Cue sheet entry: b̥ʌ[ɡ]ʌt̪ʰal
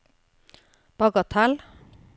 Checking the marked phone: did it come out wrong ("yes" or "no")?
no